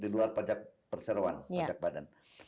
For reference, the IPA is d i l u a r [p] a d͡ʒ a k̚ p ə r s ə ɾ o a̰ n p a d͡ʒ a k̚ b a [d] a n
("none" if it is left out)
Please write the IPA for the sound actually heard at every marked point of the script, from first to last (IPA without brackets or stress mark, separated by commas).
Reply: p, d